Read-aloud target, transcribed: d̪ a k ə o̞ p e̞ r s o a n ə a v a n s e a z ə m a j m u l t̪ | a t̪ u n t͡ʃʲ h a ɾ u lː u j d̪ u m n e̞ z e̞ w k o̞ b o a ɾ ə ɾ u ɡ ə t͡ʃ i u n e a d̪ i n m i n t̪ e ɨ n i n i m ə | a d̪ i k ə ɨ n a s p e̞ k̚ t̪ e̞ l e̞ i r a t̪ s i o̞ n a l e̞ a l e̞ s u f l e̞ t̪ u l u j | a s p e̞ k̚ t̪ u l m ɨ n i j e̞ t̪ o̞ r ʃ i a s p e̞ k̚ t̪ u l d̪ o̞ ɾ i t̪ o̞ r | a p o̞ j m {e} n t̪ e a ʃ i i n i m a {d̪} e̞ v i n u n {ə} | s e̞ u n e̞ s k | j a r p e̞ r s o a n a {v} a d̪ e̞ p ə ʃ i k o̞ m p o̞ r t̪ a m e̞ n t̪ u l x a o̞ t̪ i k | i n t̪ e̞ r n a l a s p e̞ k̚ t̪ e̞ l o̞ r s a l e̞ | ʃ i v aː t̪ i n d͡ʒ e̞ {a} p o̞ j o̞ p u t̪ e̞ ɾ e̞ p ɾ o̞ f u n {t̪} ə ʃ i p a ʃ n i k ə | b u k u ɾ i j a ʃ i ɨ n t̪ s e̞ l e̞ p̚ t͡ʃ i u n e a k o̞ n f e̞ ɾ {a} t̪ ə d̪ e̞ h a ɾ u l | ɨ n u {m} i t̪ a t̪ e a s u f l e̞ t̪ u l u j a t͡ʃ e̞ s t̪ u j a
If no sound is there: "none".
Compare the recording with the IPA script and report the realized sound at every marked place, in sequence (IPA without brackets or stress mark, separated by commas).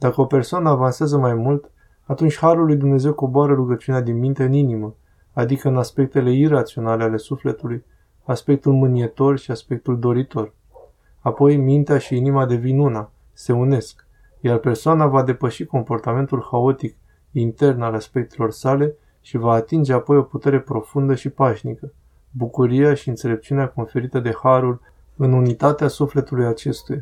i, d̪, a, v, a, d̪, i, n